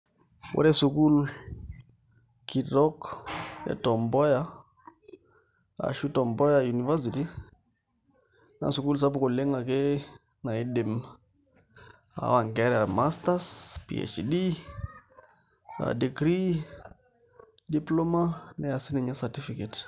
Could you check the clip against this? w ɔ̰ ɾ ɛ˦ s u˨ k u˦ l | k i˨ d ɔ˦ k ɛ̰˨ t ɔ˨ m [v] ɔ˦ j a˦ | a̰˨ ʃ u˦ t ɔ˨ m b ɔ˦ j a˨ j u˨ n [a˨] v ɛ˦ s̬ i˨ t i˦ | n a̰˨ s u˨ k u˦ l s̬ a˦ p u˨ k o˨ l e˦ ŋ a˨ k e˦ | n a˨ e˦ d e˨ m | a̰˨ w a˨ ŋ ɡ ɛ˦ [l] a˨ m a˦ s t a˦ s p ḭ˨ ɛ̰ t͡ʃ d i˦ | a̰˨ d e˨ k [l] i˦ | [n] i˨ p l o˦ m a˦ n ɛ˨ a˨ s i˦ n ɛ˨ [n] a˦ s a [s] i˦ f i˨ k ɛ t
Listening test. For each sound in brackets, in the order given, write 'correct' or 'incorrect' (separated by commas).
incorrect, incorrect, incorrect, incorrect, incorrect, incorrect, incorrect